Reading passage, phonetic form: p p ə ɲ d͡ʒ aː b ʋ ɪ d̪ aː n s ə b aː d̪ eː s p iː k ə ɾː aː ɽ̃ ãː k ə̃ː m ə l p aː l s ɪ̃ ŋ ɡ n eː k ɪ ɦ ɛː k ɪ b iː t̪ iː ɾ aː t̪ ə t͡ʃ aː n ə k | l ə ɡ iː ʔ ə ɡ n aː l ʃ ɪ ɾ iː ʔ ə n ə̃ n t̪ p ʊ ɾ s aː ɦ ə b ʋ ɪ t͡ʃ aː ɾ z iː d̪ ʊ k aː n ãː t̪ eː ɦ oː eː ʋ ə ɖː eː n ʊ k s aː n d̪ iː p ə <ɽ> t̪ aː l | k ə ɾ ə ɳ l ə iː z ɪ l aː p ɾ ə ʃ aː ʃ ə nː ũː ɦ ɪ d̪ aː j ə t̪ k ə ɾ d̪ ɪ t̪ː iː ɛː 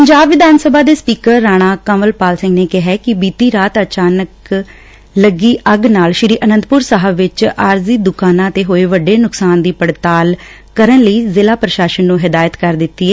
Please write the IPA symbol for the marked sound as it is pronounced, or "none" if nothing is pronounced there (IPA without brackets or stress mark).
ɽ